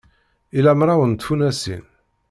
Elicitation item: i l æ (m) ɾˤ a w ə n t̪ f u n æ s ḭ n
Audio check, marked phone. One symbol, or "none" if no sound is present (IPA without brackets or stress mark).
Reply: m